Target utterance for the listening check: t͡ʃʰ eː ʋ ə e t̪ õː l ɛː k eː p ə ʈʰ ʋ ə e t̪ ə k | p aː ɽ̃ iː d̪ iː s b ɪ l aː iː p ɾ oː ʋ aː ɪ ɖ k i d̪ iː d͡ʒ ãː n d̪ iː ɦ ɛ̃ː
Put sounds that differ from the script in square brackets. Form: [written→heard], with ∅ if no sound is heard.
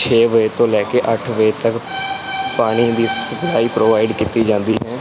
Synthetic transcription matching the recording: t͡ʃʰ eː ʋ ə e t̪ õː l ɛː k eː [p→ʔ] ə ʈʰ ʋ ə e t̪ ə k | p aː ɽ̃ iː d̪ iː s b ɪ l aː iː p ɾ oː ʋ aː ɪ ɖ k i [d̪→t̪] iː d͡ʒ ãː n d̪ iː ɦ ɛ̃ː